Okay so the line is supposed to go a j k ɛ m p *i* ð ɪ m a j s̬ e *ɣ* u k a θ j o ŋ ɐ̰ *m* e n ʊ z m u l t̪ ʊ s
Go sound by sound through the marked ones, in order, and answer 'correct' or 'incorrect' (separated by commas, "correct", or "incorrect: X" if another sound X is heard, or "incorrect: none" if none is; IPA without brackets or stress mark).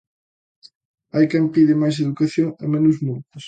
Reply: correct, incorrect: ð, correct